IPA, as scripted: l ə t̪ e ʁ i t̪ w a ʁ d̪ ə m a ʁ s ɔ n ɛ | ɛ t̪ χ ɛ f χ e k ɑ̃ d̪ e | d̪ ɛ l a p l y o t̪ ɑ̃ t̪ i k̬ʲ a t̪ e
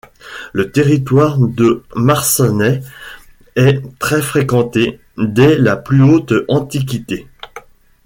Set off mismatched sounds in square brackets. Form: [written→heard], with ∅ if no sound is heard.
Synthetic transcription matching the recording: l ə t̪ e ʁ i t̪ w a ʁ d̪ ə m a ʁ s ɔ n ɛ | ɛ t̪ χ ɛ f χ e k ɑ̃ [d̪→t̪] e | d̪ ɛ l a p l y o t̪ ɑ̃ t̪ i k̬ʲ [a→i] t̪ e